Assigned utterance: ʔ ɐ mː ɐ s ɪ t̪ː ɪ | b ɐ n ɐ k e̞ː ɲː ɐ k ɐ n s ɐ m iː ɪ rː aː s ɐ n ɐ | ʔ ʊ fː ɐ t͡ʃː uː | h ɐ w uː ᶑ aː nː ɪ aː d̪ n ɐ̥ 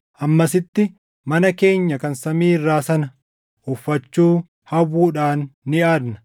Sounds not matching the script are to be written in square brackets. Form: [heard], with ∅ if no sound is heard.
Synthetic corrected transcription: ʔ ɐ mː ɐ s ɪ t̪ː ɪ | [m] ɐ n ɐ k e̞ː ɲː ɐ k ɐ n s ɐ m iː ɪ rː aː s ɐ n ɐ | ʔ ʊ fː ɐ t͡ʃː uː | h ɐ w uː ᶑ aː nː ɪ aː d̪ n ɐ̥